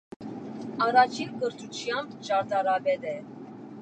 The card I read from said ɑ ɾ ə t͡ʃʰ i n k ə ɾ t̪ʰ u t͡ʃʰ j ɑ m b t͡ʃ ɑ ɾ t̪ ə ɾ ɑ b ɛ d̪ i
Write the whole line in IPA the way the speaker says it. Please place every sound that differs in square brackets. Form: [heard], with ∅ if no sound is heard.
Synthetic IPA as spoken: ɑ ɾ [ɑ] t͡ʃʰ i n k ə ɾ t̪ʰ u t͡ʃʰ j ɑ m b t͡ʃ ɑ ɾ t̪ [ɑ] ɾ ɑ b ɛ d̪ [ɛ]